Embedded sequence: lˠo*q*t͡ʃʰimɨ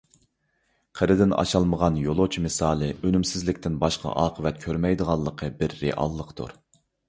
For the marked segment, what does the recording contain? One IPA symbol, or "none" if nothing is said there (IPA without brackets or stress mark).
none